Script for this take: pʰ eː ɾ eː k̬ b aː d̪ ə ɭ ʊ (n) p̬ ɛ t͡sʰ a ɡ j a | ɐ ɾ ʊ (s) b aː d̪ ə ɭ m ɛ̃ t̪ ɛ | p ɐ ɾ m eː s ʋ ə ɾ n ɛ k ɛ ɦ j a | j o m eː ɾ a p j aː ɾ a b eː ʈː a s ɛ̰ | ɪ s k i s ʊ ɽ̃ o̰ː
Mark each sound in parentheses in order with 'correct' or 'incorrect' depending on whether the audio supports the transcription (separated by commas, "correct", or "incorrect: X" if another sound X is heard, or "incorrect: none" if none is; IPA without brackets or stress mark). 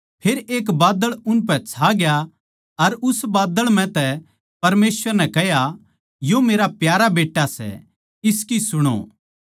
correct, correct